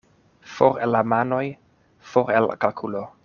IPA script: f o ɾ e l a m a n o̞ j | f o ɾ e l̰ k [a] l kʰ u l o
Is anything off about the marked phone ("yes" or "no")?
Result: no